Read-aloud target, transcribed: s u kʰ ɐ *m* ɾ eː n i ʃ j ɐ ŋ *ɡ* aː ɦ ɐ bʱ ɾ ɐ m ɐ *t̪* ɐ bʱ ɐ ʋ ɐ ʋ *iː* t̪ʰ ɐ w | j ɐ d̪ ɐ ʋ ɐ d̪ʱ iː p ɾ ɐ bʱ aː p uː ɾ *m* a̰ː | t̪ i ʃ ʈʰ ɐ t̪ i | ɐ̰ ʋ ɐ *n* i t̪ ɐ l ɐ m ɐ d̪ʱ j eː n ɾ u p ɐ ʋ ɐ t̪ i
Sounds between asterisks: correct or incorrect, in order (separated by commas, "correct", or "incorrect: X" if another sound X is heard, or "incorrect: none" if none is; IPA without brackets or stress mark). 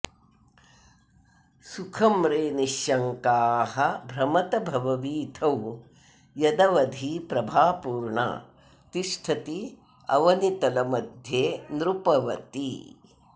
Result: correct, incorrect: k, correct, correct, incorrect: ɳ, correct